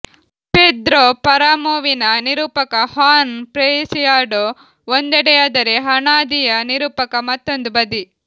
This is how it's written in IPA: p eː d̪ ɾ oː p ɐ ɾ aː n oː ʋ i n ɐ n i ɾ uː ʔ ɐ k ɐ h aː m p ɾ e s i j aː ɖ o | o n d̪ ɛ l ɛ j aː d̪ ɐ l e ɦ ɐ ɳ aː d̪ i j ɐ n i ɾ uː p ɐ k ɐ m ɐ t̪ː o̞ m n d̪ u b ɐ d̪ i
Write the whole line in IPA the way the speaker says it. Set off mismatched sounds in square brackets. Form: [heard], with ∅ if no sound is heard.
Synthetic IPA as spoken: p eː d̪ ɾ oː p ɐ ɾ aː [m] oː ʋ i n ɐ n i ɾ uː [p] ɐ k ɐ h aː [n] p ɾ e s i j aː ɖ o | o n d̪ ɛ [ɽ] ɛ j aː d̪ ɐ [ɾ] e ɦ ɐ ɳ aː d̪ i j ɐ n i ɾ uː p ɐ k ɐ m ɐ t̪ː o̞ [∅] n d̪ u b ɐ d̪ i